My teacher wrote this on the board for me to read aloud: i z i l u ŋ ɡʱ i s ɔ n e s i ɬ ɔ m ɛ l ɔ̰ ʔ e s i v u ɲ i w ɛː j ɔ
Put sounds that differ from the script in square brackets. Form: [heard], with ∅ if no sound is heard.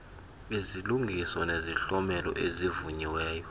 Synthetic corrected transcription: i z i l u ŋ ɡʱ i s ɔ n e [z] i ɬ ɔ m ɛ l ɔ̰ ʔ e [z] i v u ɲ i w ɛː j ɔ

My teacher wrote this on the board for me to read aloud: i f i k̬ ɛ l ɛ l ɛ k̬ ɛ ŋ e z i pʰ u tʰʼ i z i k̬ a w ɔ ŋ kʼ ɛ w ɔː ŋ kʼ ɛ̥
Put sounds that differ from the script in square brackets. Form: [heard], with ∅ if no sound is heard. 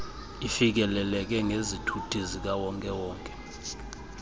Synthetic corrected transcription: i f i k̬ ɛ l ɛ l ɛ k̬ ɛ ŋ e z i [tʰ] u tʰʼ i z i k̬ a w ɔ ŋ kʼ ɛ w ɔː ŋ kʼ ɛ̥

